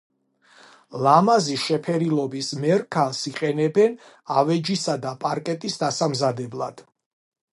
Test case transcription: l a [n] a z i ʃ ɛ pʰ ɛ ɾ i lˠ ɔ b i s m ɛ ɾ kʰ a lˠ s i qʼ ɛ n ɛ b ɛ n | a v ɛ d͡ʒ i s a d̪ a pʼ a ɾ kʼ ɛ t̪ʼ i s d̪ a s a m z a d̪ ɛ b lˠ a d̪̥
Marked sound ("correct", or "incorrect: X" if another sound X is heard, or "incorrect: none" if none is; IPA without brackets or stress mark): incorrect: m